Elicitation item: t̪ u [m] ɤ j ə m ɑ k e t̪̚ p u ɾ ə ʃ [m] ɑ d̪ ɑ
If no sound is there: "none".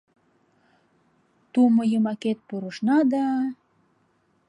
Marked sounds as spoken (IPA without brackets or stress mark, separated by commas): m, n